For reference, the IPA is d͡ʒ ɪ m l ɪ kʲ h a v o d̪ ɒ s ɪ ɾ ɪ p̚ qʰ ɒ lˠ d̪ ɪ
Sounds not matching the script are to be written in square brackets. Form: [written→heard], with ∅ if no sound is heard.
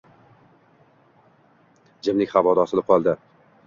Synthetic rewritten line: d͡ʒ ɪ m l ɪ kʲ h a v [o→ɒ] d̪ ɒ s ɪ [ɾ→l] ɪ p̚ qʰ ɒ lˠ d̪ ɪ